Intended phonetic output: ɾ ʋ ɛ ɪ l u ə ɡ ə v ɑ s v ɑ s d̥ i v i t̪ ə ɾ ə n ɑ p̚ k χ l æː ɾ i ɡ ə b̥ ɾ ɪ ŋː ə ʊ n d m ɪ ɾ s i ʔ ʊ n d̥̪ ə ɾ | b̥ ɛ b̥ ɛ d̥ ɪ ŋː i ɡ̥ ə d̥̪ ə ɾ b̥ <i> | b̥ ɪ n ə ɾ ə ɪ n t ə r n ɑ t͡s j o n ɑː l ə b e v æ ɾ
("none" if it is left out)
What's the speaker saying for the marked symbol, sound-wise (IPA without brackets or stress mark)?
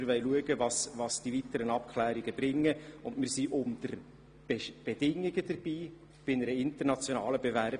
iː